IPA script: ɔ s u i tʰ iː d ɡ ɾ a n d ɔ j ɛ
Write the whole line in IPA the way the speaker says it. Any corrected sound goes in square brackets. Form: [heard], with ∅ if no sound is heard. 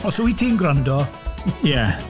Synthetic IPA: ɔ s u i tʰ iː [n] ɡ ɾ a n d ɔ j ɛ